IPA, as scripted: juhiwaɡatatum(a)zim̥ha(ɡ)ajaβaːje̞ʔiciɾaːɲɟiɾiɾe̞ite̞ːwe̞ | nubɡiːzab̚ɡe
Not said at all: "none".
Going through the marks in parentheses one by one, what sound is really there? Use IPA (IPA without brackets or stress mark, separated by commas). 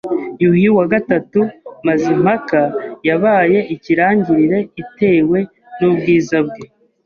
a, k